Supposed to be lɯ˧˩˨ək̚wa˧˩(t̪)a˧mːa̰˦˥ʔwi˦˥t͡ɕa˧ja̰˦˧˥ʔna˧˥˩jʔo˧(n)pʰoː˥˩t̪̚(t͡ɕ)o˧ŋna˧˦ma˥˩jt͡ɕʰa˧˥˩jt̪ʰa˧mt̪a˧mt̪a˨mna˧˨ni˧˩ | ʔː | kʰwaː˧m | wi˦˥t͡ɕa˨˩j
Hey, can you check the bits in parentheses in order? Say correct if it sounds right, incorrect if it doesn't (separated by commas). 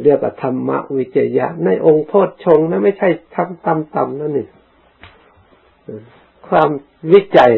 incorrect, incorrect, incorrect